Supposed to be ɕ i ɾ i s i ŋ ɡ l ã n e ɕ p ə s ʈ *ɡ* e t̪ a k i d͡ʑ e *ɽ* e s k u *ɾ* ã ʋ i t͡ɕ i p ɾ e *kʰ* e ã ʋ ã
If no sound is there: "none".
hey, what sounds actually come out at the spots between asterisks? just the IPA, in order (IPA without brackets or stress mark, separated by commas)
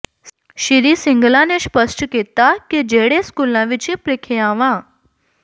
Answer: k, ɽ, l, kʰ